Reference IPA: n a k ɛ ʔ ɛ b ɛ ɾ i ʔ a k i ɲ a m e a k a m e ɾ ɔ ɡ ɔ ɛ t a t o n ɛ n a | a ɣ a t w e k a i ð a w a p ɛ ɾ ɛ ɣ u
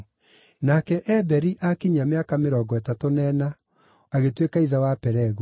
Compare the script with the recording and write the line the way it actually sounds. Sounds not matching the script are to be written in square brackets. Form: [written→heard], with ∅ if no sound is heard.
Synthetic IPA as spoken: n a k ɛ ʔ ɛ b ɛ ɾ i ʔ a k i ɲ a m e a k a m e ɾ ɔ ɡ ɔ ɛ t a t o n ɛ n a | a ɣ [a→e] t w e k a i ð a w a p ɛ ɾ ɛ ɣ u